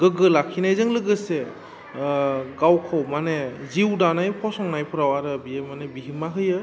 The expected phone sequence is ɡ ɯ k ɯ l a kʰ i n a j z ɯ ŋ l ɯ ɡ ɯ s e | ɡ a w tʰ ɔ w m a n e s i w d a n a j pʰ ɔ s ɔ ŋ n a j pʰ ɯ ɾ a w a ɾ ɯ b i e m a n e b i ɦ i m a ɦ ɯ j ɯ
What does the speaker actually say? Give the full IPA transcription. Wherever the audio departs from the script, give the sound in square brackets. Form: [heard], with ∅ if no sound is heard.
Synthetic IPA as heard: ɡ ɯ [ɡ] ɯ l a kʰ i n a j z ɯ ŋ l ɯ ɡ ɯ s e | ɡ a w [kʰ] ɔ w m a n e [z] i w d a n a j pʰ ɔ s ɔ ŋ n a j pʰ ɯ ɾ a w a ɾ ɯ b i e m a n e b i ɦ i m a ɦ ɯ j ɯ

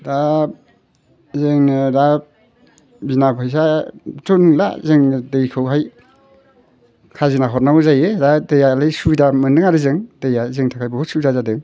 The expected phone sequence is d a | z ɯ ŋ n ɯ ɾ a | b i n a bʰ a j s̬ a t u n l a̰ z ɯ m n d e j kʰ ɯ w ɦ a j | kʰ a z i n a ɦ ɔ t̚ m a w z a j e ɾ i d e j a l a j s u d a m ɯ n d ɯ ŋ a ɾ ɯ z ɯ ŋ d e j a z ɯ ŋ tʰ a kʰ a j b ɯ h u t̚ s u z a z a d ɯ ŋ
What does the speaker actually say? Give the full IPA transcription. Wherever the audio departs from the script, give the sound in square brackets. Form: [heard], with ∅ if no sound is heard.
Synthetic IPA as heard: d a | z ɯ ŋ n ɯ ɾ a | b i n a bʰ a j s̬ a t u n l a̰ z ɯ [ŋ] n d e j kʰ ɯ w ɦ a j | kʰ a z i n a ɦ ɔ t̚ [n] a w z a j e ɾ [a] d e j a l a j s u d a m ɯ n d ɯ ŋ a ɾ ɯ z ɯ ŋ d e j a z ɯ ŋ tʰ a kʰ a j b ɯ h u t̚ s u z a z a d ɯ ŋ

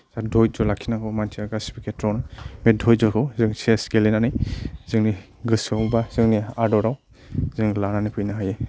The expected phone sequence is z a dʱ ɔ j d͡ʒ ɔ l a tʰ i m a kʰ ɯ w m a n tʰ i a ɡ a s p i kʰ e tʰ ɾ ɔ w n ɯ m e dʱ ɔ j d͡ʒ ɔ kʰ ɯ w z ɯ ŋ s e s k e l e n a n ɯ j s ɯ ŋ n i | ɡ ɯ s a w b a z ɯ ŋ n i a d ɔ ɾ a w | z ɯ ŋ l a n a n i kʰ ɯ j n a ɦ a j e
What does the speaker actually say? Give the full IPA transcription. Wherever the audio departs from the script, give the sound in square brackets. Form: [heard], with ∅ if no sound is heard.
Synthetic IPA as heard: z a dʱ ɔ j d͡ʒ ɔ l a [kʰ] i [n] a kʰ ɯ w m a n tʰ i a ɡ a s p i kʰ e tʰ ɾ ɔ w n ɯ m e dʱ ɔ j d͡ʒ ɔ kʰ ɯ w z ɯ ŋ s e s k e l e n a n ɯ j [z] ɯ ŋ n i | ɡ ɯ s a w b a z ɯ ŋ n i a d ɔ ɾ a w | z ɯ ŋ l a n a n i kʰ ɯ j n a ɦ a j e

